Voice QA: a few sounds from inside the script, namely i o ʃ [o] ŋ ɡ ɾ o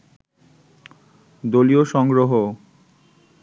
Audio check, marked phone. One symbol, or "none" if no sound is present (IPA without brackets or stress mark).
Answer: ɔ